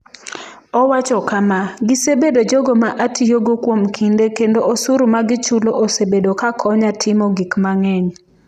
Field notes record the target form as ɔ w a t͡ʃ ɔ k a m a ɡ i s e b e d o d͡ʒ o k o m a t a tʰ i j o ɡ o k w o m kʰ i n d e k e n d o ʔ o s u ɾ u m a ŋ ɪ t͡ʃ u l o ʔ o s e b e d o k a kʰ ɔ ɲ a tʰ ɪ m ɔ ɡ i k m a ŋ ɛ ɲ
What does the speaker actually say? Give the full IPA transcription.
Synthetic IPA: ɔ w a t͡ʃ ɔ k a m a ɡ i s e b e d o d͡ʒ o ɡ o m a ʔ a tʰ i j o ɡ o k w o m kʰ i n d e k e n d o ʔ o s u ɾ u m a ɡ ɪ t͡ʃ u l o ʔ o s e b e d o k a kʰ ɔ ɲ a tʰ ɪ m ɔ ɡ i k m a ŋ ɛ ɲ